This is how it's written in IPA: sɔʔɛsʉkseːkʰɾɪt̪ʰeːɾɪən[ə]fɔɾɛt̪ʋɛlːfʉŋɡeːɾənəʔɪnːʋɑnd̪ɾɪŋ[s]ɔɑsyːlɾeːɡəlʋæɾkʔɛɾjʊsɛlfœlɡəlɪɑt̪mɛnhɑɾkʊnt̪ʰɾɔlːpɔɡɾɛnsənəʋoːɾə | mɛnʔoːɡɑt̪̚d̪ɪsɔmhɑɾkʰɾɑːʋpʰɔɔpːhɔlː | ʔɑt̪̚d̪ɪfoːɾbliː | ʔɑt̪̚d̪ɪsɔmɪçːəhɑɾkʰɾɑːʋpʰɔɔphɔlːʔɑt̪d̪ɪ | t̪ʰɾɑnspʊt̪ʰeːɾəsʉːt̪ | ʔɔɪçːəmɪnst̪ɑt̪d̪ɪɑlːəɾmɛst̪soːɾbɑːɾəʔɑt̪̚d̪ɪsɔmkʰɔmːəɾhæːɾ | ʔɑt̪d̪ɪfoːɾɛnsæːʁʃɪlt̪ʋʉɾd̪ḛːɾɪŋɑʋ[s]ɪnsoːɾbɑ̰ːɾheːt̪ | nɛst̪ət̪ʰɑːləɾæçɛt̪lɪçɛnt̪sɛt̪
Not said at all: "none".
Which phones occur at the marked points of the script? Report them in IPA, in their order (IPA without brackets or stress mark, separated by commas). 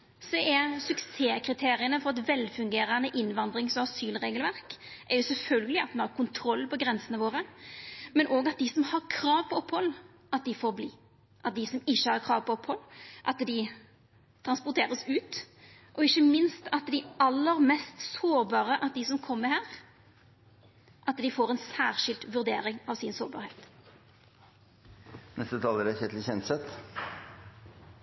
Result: ə, s, s